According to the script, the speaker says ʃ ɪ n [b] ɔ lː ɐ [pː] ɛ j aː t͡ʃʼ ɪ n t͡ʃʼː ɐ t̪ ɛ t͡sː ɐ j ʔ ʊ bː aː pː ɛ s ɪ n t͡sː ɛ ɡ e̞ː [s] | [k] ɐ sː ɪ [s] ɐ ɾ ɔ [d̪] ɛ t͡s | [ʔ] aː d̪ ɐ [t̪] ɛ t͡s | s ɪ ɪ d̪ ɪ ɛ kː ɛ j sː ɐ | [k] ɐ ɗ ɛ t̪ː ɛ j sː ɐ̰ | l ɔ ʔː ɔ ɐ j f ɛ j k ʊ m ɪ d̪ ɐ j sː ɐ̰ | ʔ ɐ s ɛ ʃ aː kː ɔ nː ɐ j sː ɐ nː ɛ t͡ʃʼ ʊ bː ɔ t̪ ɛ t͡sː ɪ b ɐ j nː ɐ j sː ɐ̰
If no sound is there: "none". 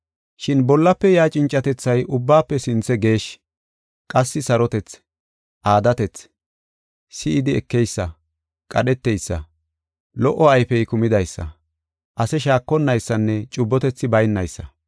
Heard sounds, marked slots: b, pː, ʃ, kʼ, s, t̪, ʔ, t̪, kʼ

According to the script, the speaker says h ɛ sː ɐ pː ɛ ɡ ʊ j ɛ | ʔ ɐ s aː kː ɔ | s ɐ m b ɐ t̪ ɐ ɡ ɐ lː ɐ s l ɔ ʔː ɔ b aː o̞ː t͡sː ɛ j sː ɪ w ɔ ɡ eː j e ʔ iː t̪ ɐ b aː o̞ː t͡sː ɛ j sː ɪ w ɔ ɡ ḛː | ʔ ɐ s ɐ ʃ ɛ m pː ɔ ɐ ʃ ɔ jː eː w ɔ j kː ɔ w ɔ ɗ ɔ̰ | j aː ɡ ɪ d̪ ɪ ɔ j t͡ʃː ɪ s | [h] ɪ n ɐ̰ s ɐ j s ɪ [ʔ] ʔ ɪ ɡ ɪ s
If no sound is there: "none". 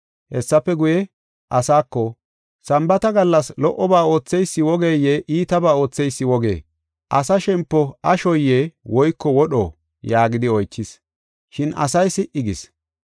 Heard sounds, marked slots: ʃ, ʔ

